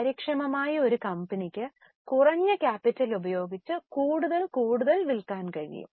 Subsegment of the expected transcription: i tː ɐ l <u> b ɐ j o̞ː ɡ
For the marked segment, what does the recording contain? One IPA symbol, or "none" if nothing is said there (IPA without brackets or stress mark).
u